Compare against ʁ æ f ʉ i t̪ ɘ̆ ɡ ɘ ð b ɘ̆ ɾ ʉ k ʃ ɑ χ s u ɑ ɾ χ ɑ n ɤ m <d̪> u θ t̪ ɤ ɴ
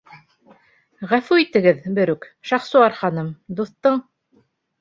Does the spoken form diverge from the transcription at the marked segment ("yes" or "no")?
no